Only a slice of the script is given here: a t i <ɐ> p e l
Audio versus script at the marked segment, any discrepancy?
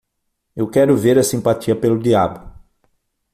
no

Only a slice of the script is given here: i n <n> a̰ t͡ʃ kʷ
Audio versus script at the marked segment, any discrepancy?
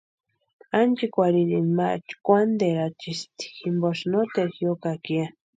yes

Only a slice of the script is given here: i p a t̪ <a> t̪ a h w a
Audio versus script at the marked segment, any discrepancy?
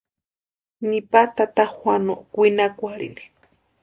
no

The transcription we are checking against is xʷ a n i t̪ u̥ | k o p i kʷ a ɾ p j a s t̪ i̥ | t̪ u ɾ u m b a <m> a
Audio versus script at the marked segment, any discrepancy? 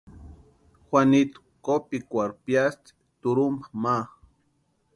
no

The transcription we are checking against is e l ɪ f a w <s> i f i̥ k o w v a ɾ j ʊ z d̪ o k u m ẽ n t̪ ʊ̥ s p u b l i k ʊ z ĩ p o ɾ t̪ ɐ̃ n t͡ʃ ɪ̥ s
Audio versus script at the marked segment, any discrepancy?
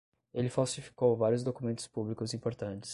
no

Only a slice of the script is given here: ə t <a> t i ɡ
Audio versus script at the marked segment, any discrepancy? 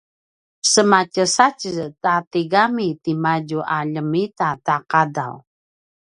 no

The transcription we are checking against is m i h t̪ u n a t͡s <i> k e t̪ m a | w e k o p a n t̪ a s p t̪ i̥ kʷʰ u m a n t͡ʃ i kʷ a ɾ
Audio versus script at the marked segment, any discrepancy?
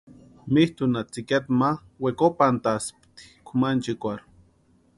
no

